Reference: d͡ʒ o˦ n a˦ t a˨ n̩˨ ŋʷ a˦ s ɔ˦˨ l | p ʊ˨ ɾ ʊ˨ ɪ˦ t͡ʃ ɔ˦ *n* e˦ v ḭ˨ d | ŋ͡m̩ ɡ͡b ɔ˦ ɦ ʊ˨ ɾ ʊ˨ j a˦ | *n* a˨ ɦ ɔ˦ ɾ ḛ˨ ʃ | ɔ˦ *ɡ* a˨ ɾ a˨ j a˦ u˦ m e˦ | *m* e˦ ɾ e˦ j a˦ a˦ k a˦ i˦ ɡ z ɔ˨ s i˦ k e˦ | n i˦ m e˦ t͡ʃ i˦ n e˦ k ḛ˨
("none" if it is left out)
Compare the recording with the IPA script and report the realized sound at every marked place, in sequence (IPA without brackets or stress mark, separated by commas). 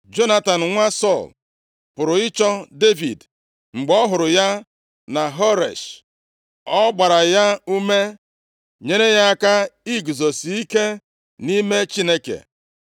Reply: d, n, ɡ͡b, ɲ